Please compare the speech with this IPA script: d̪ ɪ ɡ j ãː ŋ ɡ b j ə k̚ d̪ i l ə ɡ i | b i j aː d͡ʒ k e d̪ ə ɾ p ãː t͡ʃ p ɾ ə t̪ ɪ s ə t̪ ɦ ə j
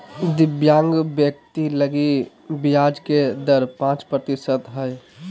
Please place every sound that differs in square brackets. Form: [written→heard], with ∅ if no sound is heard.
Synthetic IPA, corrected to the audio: d̪ ɪ [ɡ→b] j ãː ŋ ɡ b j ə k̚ [d̪→t̪] i l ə ɡ i | b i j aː d͡ʒ k e d̪ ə ɾ p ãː t͡ʃ p ɾ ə t̪ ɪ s ə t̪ ɦ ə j